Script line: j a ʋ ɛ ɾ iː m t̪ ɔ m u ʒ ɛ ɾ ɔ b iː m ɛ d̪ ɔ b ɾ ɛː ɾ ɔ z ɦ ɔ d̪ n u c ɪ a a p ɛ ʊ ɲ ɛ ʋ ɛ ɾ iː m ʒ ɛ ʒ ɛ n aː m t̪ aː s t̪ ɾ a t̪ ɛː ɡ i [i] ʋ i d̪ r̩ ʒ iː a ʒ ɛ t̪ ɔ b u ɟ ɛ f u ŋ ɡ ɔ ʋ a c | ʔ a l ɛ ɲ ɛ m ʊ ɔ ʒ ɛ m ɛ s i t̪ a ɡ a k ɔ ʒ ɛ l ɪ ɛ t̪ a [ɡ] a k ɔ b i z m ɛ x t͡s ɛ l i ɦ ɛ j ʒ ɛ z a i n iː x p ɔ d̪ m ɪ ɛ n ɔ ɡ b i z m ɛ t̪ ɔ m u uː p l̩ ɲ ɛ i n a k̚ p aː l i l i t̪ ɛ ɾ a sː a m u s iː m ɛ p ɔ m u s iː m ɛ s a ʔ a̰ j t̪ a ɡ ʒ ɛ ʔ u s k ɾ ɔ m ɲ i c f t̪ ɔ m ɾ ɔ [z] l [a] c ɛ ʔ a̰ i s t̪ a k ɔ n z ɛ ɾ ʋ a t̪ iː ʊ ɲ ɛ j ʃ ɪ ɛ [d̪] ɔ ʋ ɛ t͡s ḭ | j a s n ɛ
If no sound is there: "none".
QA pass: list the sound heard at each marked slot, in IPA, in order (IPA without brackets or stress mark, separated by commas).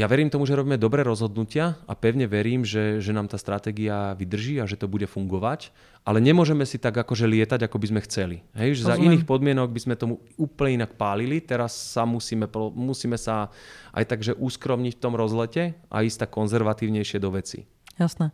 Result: a, ɟ, z, ɛ, d̪